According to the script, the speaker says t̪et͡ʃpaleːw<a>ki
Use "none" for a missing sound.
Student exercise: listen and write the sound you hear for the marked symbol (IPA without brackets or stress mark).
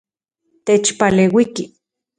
i